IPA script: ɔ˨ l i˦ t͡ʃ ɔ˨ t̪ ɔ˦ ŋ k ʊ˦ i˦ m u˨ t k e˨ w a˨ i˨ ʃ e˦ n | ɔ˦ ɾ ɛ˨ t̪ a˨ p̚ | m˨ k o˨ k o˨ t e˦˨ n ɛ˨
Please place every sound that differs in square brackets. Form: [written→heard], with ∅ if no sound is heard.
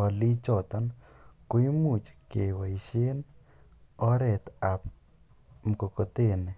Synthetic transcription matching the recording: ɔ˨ l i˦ t͡ʃ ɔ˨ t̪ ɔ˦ [ŋ→n] k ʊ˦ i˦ m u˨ [t→t͡ʃ] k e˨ w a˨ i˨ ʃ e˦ n | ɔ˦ ɾ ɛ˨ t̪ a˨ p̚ | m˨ k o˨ k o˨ t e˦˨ n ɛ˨